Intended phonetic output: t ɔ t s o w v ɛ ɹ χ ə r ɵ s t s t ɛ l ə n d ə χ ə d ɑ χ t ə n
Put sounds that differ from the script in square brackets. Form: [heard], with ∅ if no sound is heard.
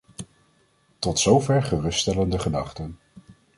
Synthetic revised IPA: t ɔ t s o w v ɛ ɹ χ ə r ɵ s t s t ɛ l ə n d ə χ ə d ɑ χ t ə n